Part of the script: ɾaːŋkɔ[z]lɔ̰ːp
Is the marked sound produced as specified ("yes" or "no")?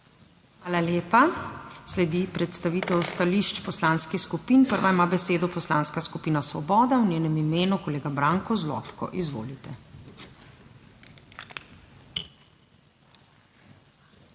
yes